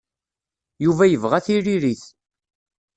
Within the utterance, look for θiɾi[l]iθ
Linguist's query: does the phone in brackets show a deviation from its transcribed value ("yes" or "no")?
yes